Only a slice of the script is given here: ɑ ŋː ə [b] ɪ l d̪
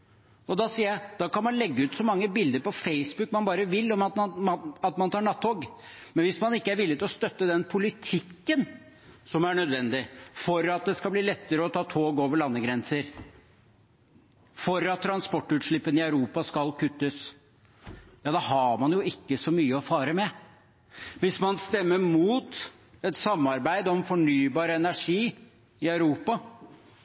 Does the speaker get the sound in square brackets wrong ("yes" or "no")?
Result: no